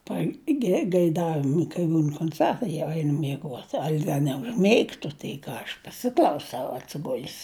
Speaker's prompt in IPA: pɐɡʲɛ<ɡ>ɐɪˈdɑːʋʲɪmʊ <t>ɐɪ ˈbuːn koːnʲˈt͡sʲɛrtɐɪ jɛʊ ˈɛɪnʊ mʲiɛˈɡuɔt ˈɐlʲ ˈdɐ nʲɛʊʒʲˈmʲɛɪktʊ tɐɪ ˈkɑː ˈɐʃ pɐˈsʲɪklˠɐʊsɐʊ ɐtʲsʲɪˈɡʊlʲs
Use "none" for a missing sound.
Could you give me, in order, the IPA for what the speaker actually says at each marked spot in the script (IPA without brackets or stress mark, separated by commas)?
ɡ, k